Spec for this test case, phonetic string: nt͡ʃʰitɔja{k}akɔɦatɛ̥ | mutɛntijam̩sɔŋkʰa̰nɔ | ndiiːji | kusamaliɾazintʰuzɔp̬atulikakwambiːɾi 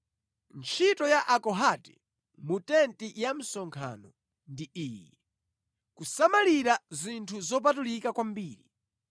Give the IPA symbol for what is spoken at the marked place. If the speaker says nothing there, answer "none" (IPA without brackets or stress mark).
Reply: ʔ